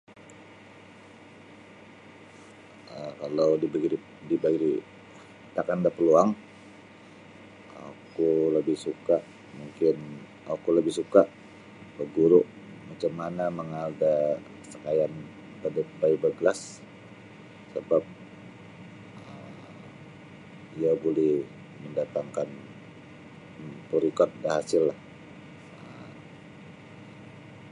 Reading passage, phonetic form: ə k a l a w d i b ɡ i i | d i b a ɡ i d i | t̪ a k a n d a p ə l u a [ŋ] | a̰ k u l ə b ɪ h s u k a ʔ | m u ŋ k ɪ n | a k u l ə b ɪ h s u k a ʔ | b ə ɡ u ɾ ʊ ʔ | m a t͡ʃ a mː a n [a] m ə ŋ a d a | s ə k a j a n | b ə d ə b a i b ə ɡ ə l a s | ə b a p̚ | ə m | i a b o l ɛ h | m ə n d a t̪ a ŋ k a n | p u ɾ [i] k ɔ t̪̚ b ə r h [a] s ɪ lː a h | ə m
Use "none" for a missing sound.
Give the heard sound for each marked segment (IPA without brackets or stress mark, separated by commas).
ŋ, a, i, a